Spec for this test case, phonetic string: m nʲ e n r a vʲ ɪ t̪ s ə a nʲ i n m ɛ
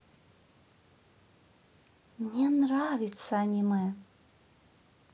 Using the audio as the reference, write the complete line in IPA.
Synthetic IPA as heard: m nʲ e n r a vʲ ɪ t̪ s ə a nʲ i m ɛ